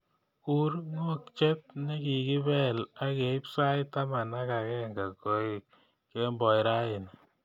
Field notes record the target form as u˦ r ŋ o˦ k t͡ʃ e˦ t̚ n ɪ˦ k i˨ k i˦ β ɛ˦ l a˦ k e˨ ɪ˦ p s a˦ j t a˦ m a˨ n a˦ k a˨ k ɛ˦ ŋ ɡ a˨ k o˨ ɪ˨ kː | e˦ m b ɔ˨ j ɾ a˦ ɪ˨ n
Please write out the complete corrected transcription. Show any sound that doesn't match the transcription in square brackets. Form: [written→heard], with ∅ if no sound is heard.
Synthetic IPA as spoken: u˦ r ŋ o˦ k t͡ʃ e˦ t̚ n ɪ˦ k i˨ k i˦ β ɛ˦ l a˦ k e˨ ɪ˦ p s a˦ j t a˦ m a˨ n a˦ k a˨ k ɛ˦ ŋ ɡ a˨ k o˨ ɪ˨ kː | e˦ m b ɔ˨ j ɾ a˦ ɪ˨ n